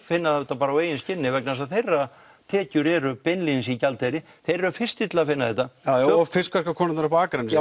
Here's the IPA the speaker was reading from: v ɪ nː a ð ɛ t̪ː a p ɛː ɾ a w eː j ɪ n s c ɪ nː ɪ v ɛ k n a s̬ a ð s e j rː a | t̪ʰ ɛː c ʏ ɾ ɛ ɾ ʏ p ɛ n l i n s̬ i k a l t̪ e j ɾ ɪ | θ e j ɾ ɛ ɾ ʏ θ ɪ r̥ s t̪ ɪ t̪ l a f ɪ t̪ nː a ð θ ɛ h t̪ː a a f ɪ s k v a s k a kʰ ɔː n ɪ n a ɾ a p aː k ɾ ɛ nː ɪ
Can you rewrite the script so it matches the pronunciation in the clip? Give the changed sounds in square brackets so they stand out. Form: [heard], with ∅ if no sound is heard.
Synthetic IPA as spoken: [f] ɪ nː a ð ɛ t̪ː a p [aː] ɾ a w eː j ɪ n s c ɪ nː ɪ v ɛ k n a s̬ a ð [θ] e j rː a | t̪ʰ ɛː c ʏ ɾ ɛ ɾ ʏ p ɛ n l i n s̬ i [c] a l t̪ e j ɾ ɪ | θ e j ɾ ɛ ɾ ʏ [f] ɪ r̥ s t̪ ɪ t̪ l a f ɪ [∅] nː a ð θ ɛ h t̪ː a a f ɪ s k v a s k a kʰ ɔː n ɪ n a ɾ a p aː k ɾ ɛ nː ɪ

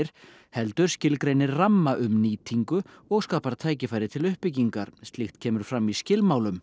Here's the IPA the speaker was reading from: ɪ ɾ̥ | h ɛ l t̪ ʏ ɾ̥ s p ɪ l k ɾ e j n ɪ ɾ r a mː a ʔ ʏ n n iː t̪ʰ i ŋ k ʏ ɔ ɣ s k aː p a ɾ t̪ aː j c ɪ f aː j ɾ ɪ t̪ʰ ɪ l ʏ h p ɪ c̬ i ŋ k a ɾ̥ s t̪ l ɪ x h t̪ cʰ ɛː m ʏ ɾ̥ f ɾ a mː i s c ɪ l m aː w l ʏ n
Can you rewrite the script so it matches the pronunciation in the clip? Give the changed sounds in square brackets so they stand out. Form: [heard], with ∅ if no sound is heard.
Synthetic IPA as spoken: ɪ ɾ̥ | h ɛ l t̪ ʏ ɾ̥ s [c] ɪ l k ɾ e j n ɪ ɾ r a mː a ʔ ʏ [m] n iː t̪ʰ i ŋ k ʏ ɔ ɣ s k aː p a ɾ [t̪ʰ] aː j c ɪ f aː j ɾ ɪ t̪ʰ ɪ l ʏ h p ɪ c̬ i ŋ k a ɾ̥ s t̪ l ɪ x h t̪ cʰ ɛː m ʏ ɾ̥ f ɾ a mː i s c ɪ l m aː w l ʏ [m]

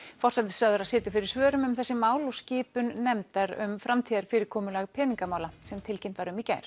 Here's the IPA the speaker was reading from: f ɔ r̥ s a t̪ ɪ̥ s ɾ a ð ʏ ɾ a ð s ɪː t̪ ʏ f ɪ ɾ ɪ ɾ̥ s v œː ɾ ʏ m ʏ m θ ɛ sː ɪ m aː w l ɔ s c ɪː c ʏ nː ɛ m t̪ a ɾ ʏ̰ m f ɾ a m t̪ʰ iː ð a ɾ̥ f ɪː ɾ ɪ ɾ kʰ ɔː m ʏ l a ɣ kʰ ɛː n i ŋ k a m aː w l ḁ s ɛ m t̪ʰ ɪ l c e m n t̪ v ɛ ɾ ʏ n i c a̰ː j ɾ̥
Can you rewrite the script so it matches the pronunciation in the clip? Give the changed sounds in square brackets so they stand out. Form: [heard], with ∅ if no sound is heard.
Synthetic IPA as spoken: f ɔ r̥ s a t̪ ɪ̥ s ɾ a ð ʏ ɾ a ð s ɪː t̪ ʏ f ɪ ɾ ɪ ɾ̥ s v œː ɾ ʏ m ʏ m θ ɛ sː ɪ m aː w l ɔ s c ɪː [p] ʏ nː ɛ m t̪ a ɾ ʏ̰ m f ɾ a m t̪ʰ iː ð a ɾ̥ f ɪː ɾ ɪ ɾ kʰ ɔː m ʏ l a ɣ [pʰ] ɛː n i ŋ k a m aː w l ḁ s ɛ m t̪ʰ ɪ l c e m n t̪ v [a] ɾ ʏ [m] i c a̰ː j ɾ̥

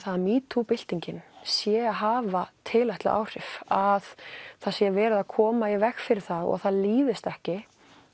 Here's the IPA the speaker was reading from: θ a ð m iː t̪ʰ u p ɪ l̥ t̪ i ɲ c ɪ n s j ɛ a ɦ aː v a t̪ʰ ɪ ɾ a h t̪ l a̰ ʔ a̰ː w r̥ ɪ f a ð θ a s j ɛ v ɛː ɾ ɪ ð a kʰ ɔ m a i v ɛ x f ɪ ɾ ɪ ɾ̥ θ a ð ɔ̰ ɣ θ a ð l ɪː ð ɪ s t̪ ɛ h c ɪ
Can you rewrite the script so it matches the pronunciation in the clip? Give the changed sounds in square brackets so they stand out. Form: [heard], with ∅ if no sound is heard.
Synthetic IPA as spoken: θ a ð m iː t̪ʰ u p ɪ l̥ t̪ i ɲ c ɪ n s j ɛ a ɦ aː v a t̪ʰ ɪ [l] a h t̪ l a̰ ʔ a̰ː w r̥ ɪ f a ð θ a s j ɛ v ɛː ɾ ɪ ð a kʰ [ɔː] m a i v ɛ x f ɪ ɾ ɪ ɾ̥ θ a ð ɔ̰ ɣ θ a ð l [iː] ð ɪ s t̪ ɛ h c ɪ

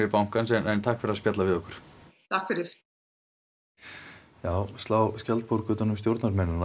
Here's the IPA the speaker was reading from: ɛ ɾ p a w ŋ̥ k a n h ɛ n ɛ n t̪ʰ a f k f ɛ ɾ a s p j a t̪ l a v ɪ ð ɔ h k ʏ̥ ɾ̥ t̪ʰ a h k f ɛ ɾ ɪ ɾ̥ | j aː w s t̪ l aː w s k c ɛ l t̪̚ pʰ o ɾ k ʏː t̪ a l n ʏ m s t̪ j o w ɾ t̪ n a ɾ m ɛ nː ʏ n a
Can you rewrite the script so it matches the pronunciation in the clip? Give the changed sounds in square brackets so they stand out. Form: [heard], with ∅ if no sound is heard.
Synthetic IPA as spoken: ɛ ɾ p a w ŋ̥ k a n [s] ɛ n ɛ n t̪ʰ a [h] k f ɛ ɾ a s p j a t̪ l a v ɪ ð ɔ h k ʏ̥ ɾ̥ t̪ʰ a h k f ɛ ɾ ɪ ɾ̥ | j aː w s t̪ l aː w s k c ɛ l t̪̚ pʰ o ɾ k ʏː t̪ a [∅] n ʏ m s t̪ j o w ɾ t̪ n a ɾ m ɛ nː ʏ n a

